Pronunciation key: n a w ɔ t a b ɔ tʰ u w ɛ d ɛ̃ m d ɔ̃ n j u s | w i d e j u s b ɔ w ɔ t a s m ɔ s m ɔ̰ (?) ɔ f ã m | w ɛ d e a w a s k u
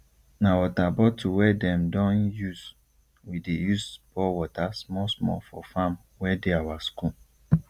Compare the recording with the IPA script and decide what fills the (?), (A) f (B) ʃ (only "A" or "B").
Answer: A